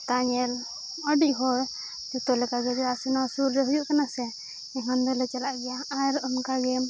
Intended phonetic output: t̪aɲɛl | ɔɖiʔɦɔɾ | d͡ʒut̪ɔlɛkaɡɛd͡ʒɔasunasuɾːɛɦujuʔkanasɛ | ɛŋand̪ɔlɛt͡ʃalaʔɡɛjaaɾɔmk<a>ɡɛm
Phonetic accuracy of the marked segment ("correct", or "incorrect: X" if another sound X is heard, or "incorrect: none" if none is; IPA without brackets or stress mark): correct